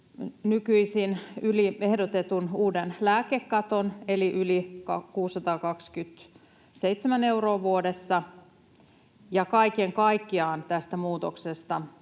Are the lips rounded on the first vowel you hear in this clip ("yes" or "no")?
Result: yes